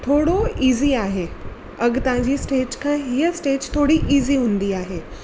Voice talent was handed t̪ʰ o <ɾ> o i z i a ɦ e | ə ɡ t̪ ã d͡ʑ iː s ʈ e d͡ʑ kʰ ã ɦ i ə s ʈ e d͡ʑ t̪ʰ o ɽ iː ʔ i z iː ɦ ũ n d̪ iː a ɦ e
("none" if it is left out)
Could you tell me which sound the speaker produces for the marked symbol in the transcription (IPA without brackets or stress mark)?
ɽ